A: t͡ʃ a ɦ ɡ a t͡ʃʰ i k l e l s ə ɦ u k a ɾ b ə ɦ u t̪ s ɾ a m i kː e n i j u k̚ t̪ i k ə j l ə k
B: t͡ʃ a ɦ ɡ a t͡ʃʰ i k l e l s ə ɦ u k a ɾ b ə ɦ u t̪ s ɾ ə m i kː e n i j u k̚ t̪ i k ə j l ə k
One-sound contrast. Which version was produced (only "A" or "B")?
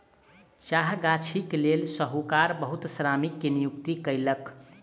A